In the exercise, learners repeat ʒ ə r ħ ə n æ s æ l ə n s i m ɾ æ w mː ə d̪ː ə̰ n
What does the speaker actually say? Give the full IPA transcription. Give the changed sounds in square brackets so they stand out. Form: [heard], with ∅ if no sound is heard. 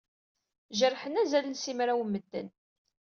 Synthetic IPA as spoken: ʒ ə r ħ ə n æ [z] æ l ə n s i m ɾ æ w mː ə d̪ː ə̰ n